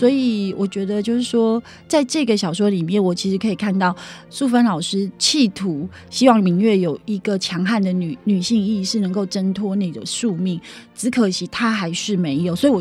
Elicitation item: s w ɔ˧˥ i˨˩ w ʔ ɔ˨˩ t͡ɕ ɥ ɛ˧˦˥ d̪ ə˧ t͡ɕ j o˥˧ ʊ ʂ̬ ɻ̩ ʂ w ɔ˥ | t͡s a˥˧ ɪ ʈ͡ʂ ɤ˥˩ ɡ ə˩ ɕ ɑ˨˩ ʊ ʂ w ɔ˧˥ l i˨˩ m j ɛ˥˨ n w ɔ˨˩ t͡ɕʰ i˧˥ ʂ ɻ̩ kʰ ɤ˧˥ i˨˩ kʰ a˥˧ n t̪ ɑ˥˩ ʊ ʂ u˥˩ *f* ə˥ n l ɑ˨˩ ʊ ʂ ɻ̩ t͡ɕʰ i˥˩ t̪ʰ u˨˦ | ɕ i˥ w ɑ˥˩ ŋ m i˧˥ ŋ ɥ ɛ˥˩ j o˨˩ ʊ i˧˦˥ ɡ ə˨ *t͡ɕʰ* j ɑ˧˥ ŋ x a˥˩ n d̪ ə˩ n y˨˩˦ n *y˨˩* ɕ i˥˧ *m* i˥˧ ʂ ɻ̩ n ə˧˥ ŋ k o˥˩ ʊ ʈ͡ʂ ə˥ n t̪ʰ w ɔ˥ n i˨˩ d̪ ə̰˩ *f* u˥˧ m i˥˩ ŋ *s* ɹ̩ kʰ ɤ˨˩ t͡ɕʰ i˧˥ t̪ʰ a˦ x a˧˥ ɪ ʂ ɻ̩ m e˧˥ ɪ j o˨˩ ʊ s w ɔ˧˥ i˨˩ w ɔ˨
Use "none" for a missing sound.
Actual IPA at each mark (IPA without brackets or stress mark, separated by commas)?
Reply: f, t͡ɕʰ, y˨˩, ŋ, ʂ, t͡s